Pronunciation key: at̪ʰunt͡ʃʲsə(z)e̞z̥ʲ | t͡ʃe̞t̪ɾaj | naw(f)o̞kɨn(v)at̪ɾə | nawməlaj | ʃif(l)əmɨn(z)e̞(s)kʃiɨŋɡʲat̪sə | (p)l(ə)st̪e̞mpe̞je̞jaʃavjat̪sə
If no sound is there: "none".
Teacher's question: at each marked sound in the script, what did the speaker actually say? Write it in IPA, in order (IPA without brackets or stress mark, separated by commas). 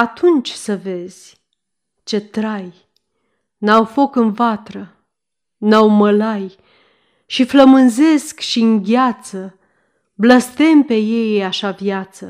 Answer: v, f, v, l, z, s, b, ə